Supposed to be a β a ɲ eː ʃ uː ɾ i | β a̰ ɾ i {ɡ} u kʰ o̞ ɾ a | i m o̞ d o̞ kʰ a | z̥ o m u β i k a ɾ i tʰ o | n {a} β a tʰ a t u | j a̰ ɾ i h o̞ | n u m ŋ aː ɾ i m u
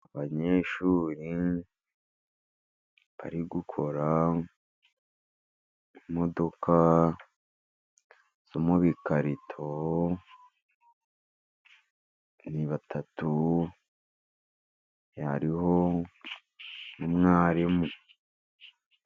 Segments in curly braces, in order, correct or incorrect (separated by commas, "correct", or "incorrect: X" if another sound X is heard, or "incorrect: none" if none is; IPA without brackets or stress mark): correct, incorrect: i